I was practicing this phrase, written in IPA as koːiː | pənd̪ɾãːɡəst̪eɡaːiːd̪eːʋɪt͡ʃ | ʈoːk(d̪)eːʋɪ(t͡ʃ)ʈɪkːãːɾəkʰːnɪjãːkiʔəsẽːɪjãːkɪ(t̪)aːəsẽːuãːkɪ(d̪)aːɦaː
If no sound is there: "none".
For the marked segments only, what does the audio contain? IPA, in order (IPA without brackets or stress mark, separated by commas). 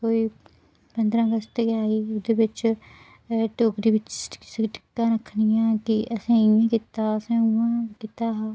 d̪, t͡ʃ, t̪, t̪